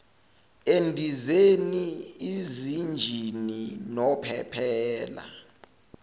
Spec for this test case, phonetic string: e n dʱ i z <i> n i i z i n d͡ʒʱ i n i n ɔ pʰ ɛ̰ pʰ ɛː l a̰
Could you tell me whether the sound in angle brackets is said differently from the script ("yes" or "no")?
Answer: yes